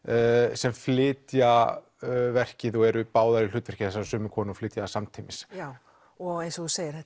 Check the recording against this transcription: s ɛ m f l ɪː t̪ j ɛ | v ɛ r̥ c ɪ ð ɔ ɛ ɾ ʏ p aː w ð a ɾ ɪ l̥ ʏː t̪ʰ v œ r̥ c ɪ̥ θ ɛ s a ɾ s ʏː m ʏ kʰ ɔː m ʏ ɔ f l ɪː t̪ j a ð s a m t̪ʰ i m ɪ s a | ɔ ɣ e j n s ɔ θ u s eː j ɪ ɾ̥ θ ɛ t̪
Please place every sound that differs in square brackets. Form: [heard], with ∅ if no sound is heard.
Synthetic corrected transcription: s ɛ m f l ɪː t̪ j [a] | v ɛ r̥ c ɪ ð ɔ ɛ ɾ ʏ p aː w ð a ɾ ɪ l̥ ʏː [t̪] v [ɛ] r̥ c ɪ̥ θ ɛ s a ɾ s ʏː m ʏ kʰ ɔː [n] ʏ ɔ f l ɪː t̪ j a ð s a m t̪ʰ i m ɪ s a | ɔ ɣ e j n s ɔ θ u s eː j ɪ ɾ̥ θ ɛ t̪